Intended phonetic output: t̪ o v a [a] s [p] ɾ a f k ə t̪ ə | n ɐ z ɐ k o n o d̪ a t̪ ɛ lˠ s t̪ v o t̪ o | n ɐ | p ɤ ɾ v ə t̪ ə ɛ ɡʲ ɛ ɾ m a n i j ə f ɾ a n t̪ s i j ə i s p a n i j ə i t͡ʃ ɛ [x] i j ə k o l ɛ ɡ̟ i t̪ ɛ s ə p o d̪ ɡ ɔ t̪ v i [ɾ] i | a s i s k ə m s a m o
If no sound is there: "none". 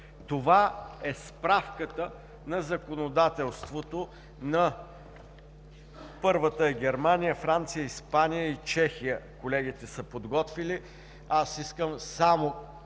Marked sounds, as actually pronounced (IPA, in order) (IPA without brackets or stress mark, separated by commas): ɛ, p, x, l